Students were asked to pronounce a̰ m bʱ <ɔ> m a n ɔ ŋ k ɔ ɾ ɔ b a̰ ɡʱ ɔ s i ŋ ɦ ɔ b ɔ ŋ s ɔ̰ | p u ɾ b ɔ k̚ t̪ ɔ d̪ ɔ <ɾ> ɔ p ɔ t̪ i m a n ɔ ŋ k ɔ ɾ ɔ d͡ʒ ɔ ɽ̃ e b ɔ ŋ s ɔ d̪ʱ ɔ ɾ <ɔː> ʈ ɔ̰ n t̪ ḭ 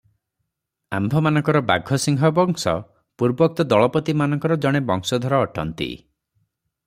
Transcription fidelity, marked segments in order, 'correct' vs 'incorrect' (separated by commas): correct, incorrect, correct